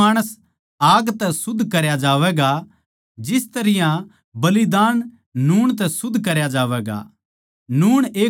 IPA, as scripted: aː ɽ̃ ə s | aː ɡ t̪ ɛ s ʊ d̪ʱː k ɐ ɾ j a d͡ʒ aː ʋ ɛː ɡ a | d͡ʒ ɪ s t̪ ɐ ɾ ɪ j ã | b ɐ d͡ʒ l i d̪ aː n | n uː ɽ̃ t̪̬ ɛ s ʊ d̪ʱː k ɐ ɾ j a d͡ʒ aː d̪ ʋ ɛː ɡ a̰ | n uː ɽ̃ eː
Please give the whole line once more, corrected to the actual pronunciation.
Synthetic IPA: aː ɽ̃ ə s | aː ɡ t̪ ɛ s ʊ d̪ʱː k ɐ ɾ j a d͡ʒ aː ʋ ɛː ɡ a | d͡ʒ ɪ s t̪ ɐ ɾ ɪ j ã | b ɐ l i d̪ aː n | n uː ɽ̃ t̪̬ ɛ s ʊ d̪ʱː k ɐ ɾ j a d͡ʒ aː ʋ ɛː ɡ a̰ | n uː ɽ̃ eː